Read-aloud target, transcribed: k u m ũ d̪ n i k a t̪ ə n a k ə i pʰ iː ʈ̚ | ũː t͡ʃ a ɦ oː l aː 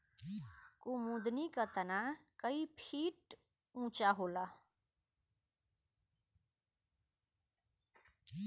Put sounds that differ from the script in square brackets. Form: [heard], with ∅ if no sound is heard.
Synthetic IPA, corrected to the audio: k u m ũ d̪ n i k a t̪ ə n a k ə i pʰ iː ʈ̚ | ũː t͡ʃ a ɦ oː l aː